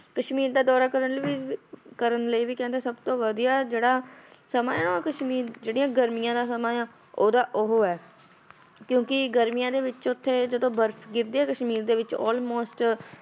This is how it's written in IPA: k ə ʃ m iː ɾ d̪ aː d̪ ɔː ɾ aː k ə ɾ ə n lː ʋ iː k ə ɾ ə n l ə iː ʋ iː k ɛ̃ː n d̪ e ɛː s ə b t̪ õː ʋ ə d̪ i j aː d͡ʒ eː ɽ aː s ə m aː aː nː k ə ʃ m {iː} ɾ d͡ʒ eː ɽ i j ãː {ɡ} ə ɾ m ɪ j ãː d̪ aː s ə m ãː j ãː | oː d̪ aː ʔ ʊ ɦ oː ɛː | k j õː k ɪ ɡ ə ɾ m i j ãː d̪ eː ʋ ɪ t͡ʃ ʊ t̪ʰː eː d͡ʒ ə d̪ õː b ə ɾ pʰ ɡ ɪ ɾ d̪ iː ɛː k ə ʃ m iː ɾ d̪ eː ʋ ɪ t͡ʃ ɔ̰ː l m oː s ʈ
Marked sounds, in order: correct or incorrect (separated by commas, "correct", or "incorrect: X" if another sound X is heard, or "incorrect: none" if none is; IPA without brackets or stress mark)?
correct, correct